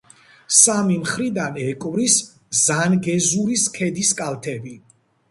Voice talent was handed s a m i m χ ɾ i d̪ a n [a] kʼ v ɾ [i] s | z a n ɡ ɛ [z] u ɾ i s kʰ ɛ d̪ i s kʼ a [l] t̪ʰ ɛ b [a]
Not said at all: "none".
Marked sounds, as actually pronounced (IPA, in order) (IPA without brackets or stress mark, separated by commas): ɛ, i, z, l, i